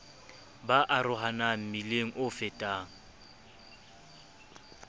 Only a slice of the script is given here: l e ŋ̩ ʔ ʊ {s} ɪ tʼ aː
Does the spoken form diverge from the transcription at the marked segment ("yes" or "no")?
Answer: yes